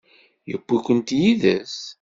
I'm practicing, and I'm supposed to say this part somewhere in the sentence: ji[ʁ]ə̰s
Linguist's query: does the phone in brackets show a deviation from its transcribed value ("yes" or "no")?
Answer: yes